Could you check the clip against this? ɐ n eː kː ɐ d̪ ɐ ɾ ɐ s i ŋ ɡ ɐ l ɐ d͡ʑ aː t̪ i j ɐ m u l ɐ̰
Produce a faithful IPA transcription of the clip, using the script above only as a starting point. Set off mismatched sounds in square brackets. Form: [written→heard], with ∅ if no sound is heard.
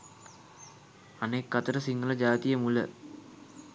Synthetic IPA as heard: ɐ n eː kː ɐ [d̪→t̪] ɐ ɾ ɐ s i ŋ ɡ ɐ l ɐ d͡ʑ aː t̪ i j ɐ m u l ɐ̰